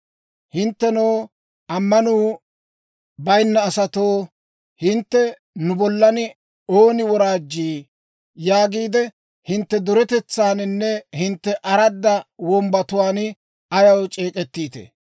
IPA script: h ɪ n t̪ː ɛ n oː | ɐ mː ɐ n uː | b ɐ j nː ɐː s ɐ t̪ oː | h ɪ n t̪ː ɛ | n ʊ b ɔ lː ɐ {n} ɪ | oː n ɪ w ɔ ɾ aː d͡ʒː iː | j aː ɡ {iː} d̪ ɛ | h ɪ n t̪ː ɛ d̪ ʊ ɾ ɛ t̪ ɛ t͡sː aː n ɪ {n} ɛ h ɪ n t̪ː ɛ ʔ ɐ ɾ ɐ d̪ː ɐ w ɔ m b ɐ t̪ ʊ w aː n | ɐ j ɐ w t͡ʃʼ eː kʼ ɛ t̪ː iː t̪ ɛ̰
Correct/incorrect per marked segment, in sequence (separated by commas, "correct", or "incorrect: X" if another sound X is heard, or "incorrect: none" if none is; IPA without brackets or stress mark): correct, correct, incorrect: nː